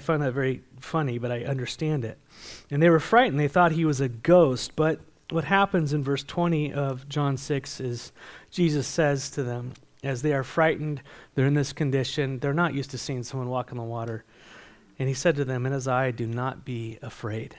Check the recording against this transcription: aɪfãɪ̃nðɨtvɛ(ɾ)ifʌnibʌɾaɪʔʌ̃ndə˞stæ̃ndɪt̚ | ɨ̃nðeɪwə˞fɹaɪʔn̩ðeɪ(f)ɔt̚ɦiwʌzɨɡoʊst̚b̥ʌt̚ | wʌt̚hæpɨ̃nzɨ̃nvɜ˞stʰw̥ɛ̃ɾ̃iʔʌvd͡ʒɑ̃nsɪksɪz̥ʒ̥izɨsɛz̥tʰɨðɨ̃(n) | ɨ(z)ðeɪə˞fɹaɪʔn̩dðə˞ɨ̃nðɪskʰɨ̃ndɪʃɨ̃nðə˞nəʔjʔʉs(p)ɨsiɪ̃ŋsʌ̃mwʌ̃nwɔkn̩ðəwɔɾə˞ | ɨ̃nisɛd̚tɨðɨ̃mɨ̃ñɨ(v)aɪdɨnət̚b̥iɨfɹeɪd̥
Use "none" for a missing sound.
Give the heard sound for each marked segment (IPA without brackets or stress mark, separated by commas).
ɹ, θ, m, z, t, z